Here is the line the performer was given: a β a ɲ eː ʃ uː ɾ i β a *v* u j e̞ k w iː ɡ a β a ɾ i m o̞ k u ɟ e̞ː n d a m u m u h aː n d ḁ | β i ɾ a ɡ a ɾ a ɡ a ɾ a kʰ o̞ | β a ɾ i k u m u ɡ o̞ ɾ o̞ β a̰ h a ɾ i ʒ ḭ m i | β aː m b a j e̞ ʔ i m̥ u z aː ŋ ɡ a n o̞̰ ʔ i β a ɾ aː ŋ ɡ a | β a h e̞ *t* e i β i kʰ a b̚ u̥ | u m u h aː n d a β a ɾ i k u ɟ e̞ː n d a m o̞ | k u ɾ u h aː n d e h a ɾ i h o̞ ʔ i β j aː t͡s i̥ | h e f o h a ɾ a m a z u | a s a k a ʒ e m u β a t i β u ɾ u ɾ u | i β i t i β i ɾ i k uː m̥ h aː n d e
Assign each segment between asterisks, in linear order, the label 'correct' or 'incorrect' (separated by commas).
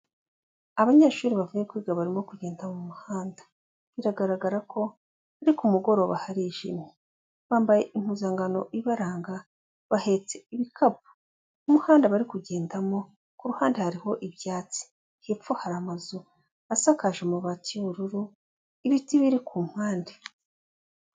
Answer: correct, incorrect